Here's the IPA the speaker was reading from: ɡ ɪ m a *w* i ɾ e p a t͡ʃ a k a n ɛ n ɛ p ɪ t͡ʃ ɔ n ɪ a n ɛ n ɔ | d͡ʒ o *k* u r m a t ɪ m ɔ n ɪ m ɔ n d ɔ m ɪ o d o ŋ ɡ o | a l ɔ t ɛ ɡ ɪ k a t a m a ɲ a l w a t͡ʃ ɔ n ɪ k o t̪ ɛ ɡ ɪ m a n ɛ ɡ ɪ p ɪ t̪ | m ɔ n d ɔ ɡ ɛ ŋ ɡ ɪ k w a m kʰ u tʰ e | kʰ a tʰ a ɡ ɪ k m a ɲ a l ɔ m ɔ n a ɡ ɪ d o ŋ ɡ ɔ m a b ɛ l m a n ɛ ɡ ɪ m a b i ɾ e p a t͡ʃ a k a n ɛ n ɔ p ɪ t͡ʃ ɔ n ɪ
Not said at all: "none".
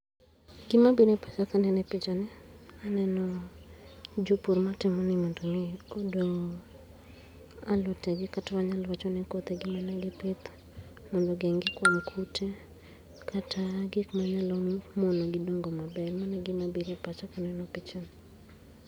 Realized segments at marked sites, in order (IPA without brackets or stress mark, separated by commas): b, p